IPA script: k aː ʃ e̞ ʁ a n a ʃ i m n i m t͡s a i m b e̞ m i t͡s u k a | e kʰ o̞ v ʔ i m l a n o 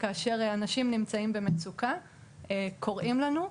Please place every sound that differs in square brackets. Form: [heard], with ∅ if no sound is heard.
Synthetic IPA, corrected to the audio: k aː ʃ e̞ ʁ a n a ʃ i m n i m t͡s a i m b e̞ m [e] t͡s u k a | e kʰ o̞ [ʁ] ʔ i m l a n [u]